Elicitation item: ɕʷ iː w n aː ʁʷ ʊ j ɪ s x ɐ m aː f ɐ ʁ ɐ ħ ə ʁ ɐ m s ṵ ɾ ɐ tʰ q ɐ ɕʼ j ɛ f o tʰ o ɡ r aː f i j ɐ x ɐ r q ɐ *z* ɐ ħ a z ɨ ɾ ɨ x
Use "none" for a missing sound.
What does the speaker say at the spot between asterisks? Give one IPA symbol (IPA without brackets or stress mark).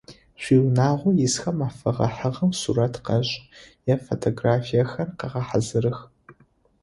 ʁ